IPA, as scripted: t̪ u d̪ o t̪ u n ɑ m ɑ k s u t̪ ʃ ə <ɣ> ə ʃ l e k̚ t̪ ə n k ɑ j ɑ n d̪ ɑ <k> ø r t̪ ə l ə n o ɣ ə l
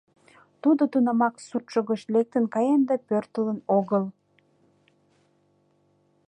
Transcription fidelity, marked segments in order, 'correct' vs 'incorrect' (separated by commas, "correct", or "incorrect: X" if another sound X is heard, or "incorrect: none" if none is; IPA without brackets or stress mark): correct, incorrect: p